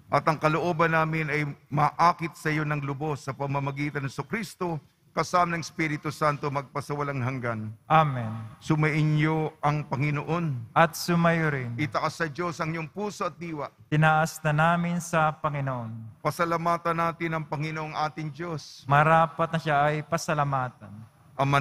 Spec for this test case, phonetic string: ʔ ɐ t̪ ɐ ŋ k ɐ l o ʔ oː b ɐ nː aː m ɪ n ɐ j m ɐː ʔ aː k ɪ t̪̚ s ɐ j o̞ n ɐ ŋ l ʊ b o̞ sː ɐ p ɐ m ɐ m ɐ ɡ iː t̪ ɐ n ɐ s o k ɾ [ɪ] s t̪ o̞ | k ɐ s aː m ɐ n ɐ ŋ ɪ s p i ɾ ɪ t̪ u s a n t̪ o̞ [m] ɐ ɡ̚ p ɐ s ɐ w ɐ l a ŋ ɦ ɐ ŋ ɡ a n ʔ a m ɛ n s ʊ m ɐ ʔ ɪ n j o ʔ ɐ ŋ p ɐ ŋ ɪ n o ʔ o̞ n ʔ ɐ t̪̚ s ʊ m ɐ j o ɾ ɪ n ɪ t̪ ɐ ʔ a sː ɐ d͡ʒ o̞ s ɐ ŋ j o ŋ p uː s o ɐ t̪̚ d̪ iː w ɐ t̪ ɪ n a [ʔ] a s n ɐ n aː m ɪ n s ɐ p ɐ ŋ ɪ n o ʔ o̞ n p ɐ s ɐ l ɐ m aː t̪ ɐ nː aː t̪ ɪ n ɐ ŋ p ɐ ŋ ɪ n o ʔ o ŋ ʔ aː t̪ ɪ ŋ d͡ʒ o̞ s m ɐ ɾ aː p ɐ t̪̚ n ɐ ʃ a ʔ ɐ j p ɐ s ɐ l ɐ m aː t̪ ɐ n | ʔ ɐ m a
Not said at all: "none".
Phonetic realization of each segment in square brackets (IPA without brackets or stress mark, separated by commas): i, m, ʔ